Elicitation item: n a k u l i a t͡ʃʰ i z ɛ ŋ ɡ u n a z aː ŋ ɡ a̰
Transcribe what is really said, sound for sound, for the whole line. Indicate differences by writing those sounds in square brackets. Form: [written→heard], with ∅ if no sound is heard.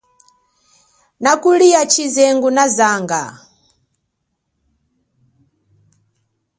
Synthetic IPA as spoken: n a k u l i a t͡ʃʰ i z ɛ ŋ ɡ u n a z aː ŋ ɡ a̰